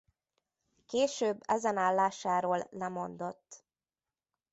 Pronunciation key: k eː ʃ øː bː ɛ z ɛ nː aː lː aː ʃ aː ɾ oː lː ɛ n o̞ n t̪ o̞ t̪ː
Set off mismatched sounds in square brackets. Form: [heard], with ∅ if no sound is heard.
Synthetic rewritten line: k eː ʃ øː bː ɛ z ɛ [n] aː lː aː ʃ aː ɾ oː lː ɛ [m] o̞ n [d̪] o̞ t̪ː

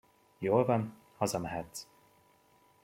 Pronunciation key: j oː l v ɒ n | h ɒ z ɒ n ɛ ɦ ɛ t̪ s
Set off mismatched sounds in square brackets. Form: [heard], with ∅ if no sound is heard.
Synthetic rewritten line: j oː l v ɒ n | h ɒ z ɒ [m] ɛ ɦ ɛ t̪ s

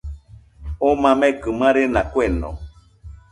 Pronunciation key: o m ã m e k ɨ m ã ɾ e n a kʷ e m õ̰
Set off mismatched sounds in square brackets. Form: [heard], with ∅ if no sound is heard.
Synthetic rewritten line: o m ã m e k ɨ m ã ɾ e n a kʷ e [n] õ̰

